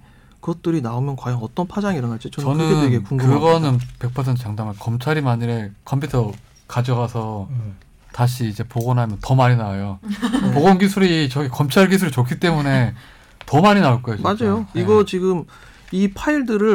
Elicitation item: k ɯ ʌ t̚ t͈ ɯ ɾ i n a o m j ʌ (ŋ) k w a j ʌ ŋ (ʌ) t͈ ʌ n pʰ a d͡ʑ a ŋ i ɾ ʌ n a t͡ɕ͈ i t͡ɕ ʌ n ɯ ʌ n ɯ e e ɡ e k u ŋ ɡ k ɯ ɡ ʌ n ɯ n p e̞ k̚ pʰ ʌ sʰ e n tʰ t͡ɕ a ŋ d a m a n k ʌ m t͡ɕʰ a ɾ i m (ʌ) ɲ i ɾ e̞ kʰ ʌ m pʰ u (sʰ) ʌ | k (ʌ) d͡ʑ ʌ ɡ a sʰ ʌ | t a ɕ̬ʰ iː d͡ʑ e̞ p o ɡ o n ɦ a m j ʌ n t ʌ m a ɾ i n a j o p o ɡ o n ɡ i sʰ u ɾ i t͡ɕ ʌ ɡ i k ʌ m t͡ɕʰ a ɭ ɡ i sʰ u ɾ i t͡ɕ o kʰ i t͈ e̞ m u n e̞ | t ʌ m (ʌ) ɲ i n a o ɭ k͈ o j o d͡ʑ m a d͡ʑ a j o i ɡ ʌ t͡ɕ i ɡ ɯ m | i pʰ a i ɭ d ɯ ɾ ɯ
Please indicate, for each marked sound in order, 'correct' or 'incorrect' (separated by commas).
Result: incorrect, correct, incorrect, incorrect, incorrect, incorrect